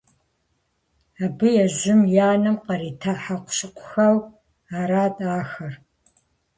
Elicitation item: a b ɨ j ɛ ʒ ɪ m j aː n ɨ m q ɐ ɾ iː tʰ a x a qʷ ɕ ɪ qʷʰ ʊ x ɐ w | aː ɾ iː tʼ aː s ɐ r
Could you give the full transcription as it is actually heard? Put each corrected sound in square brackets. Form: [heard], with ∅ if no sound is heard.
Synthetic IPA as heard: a b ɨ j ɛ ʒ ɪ m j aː n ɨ m q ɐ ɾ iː tʰ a [ħ] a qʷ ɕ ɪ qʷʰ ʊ x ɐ w | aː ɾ [aː] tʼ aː [x] ɐ r